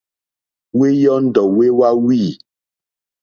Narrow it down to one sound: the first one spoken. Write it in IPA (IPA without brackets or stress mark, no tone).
w